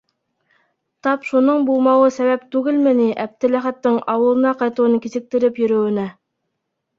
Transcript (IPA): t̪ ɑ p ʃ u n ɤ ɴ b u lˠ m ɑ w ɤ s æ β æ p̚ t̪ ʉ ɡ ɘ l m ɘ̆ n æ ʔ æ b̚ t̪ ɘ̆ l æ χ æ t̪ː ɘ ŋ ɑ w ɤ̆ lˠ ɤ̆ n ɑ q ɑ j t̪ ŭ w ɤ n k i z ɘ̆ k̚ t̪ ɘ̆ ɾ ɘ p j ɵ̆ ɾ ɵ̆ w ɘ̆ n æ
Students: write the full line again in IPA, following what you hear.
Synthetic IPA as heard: t̪ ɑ p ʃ u n ɤ ɴ b u lˠ m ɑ w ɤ s æ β æ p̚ t̪ ʉ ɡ ɘ l m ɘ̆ n i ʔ æ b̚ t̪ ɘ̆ l æ χ æ t̪ː ɘ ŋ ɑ w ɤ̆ lˠ ɤ̆ n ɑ q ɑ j t̪ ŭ w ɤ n k i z ɘ̆ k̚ t̪ ɘ̆ ɾ ɘ p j ɵ̆ ɾ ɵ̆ w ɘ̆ n æ